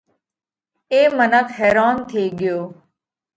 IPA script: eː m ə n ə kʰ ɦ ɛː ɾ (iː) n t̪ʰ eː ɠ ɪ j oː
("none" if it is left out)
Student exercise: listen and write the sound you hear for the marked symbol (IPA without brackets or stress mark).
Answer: aː